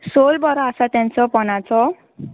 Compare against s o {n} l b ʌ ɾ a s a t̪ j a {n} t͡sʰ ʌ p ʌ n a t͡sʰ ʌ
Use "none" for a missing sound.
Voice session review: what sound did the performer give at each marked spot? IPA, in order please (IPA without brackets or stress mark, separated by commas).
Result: none, n